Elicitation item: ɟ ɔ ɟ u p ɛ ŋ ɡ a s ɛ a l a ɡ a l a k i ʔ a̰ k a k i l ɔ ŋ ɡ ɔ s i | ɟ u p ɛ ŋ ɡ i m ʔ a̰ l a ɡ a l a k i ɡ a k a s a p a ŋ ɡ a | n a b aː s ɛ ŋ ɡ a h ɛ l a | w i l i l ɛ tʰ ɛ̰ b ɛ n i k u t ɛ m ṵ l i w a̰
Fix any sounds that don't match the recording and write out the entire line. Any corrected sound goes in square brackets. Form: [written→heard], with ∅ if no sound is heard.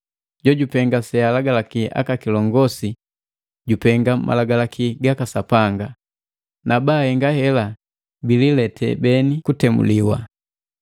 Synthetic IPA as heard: ɟ ɔ ɟ u p ɛ ŋ ɡ a s ɛ a l a ɡ a l a k i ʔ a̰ k a k i l ɔ ŋ ɡ ɔ s i | ɟ u p ɛ ŋ ɡ [i→a] m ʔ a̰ l a ɡ a l a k i ɡ a k a s a p a ŋ ɡ a | n a b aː [s→h] ɛ ŋ ɡ a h ɛ l a | [w→b] i l i l ɛ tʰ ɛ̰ b ɛ n i k u t ɛ m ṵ l i w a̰